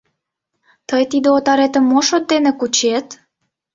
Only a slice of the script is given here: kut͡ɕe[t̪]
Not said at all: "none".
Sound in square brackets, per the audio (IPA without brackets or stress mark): t̪